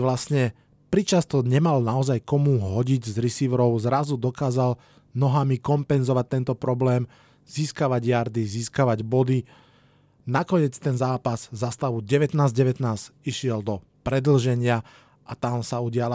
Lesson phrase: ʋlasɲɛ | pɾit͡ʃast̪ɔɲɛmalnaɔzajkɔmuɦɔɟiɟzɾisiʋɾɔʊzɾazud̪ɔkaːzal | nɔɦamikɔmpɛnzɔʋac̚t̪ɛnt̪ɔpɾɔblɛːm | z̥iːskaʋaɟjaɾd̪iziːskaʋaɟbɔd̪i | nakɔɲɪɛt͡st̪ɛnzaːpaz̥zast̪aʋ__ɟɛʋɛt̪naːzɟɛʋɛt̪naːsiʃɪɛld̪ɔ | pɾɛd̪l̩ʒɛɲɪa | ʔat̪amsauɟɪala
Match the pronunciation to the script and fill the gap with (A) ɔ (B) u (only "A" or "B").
B